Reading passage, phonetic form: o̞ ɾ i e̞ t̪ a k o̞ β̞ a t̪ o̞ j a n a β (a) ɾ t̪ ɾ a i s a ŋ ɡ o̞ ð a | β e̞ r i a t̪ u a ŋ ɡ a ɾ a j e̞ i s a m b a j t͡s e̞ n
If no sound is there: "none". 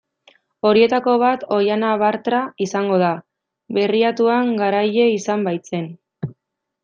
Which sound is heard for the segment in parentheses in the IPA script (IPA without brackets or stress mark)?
a